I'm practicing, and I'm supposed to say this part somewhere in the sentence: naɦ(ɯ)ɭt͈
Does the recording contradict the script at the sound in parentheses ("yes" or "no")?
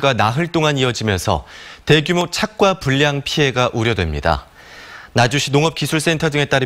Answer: no